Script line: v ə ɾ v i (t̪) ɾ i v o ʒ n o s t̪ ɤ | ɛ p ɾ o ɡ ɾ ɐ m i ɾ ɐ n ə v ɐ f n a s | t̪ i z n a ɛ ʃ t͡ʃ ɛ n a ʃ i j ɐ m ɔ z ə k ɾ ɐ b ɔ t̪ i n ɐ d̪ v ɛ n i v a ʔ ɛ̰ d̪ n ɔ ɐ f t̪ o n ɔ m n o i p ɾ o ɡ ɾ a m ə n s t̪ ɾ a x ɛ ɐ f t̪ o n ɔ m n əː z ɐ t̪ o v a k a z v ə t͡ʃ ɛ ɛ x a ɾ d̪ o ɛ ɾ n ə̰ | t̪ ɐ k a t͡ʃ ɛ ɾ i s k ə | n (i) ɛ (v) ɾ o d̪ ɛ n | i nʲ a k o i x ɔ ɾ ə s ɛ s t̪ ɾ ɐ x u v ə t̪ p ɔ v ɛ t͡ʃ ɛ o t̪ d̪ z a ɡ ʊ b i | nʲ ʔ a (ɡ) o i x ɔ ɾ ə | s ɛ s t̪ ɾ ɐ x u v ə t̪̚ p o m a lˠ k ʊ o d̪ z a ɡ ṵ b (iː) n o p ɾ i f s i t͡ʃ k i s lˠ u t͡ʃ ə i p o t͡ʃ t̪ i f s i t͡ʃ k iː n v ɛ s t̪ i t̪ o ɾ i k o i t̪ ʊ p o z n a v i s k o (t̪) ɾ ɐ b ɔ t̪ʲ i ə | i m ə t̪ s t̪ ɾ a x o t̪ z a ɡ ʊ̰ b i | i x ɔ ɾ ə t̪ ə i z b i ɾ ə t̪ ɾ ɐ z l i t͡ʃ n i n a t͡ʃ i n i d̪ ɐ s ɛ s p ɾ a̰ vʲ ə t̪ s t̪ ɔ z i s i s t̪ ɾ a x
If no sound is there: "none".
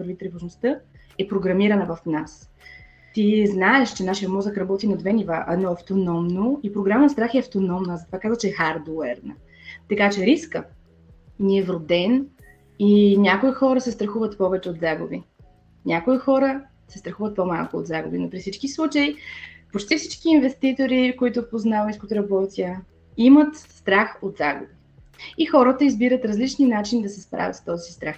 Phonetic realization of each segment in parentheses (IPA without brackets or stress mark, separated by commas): t̪, i, v, k, i, t̪